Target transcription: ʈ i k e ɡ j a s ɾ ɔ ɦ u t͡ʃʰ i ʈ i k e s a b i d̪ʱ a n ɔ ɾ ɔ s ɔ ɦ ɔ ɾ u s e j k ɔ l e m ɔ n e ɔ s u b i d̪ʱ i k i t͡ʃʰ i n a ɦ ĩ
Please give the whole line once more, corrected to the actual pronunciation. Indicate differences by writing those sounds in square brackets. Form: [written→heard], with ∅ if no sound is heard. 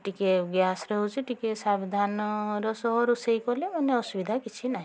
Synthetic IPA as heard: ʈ i k e ɡ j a s ɾ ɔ ɦ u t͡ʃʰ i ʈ i k e s a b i d̪ʱ a n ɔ ɾ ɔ s ɔ ɦ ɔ ɾ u s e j k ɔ l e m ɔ n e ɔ s u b i d̪ʱ [i→a] k i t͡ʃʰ i n a ɦ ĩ

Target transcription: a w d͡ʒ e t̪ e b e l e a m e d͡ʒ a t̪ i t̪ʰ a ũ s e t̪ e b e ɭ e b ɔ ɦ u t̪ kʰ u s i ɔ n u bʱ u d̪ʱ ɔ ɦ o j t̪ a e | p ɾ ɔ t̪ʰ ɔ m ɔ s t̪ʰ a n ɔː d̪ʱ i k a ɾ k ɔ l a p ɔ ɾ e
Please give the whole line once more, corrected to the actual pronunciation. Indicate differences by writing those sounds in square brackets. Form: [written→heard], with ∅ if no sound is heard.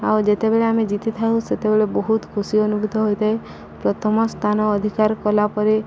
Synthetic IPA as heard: a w d͡ʒ e t̪ e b e [l→ɭ] e a m e d͡ʒ [a→i] t̪ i t̪ʰ a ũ s e t̪ e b e ɭ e b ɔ ɦ u t̪ kʰ u s i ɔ n u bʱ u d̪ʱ ɔ ɦ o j t̪ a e | p ɾ ɔ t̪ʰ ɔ m ɔ s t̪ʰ a n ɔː d̪ʱ i k a ɾ k ɔ l a p ɔ ɾ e

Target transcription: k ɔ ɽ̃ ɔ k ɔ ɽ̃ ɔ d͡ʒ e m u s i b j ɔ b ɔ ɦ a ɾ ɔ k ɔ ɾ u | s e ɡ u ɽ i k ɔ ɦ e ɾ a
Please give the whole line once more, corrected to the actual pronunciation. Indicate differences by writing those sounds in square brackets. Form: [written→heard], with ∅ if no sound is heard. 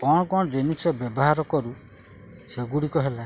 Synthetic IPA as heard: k ɔ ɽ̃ ɔ k ɔ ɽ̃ ɔ d͡ʒ e [m→n] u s [i→e] b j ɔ b ɔ ɦ a ɾ ɔ k ɔ ɾ u | s e ɡ u ɽ i k ɔ ɦ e [ɾ→l] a

